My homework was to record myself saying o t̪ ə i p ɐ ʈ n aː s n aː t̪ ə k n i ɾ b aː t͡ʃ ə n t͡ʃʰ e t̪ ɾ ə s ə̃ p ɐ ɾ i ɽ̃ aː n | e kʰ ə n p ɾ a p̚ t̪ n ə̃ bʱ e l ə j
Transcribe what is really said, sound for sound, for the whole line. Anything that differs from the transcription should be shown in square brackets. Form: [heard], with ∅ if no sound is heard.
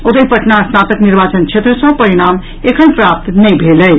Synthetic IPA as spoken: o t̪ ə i p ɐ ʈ n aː s n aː t̪ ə k n i ɾ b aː t͡ʃ ə n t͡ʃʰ e t̪ ɾ ə s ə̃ p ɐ ɾ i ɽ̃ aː [m] | e kʰ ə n p ɾ a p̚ t̪ n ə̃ bʱ e l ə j